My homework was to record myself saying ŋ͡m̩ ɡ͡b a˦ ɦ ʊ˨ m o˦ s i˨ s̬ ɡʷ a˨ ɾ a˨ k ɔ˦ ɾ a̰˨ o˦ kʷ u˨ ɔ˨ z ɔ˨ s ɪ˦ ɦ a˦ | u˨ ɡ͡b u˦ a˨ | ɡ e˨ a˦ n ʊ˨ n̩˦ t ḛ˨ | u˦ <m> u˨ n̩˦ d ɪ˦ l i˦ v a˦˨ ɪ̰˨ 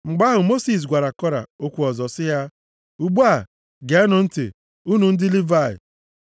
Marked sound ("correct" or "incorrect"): incorrect